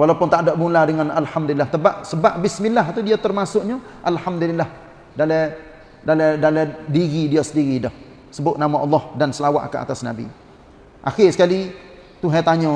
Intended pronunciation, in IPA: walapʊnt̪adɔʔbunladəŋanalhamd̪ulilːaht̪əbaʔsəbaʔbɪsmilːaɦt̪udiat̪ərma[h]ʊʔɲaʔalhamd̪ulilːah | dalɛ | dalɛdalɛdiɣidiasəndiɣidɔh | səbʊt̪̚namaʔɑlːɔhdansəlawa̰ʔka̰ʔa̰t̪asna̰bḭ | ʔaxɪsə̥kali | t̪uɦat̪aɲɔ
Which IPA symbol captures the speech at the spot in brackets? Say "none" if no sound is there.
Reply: s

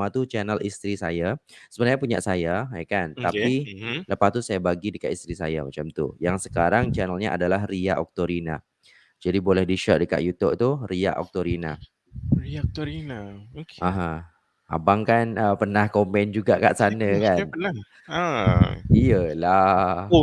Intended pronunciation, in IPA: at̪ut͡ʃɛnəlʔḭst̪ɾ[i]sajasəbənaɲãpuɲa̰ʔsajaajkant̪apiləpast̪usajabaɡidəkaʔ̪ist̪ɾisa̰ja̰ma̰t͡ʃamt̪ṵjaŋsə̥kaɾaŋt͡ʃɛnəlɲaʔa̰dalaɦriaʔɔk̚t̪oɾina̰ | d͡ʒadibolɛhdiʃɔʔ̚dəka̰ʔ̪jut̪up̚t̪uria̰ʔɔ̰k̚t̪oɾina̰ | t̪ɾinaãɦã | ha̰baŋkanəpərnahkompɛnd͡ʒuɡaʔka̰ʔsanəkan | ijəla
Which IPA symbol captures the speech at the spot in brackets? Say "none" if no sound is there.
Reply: i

